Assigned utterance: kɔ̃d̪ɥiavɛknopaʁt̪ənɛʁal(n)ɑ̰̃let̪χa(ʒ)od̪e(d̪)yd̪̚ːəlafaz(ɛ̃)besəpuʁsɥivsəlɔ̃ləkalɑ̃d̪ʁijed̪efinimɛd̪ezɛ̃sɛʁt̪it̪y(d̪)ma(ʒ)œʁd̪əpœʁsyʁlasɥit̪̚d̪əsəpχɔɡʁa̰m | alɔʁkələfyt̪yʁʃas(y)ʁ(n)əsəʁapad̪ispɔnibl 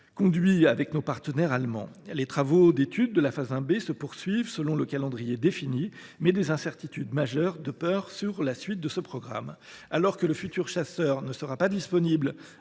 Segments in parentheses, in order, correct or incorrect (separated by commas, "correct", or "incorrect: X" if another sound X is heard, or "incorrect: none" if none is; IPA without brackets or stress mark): incorrect: m, incorrect: v, incorrect: t̪, correct, correct, correct, incorrect: œ, correct